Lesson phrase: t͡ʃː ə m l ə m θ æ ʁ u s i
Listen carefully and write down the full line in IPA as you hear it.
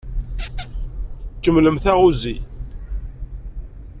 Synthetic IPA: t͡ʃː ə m l ə m θ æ ʁ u z i